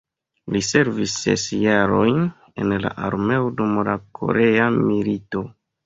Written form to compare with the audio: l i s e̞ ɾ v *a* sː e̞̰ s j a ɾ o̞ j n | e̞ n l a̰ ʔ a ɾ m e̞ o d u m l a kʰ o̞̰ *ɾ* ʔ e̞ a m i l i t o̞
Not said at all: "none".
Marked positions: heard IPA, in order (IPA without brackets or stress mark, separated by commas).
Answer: i, ɾ